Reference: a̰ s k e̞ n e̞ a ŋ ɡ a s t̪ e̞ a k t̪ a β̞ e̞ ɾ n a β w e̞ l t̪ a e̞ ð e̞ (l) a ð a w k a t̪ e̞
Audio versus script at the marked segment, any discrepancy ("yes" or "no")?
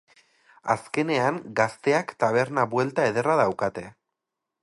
yes